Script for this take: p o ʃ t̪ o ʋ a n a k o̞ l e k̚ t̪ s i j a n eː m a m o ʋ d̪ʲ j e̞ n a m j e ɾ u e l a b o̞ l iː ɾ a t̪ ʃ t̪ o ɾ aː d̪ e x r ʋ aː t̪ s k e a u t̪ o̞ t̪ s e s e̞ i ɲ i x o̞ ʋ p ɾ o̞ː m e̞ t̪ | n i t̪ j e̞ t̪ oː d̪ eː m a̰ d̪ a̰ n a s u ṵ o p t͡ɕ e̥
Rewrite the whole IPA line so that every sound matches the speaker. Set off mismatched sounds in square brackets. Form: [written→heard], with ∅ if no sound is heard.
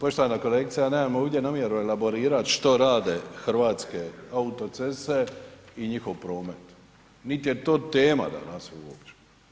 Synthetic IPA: p o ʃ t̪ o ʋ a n a k o̞ l e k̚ t̪ s i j a n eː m a m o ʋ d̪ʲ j e̞ n a m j e ɾ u e l a b o̞ [l→ɾ] iː ɾ a t̪ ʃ t̪ o ɾ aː d̪ e x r ʋ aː t̪ s k e a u t̪ o̞ t̪ s e s e̞ i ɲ i x o̞ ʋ p ɾ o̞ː m e̞ t̪ | n i t̪ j e̞ t̪ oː [d̪→t̪] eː m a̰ d̪ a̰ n a s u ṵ o p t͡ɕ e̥